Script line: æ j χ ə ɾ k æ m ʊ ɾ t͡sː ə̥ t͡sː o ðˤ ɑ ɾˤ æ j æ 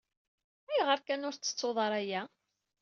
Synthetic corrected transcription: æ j ʁ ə ɾ k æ n ʊ ɾ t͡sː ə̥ t͡sː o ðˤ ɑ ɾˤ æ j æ